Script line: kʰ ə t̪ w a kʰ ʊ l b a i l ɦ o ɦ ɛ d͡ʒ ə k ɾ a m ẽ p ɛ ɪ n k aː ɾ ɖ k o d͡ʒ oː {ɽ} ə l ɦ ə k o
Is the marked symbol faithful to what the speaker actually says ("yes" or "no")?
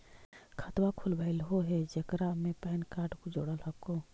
yes